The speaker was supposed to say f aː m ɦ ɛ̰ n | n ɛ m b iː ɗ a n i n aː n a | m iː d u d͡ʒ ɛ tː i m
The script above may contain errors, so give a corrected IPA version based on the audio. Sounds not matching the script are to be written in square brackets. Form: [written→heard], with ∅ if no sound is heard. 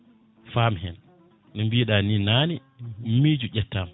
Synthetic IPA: f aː m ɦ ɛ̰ n | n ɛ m b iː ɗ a n i n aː n [a→i] | m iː [d→d͡ʒ] u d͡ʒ ɛ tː [i→a] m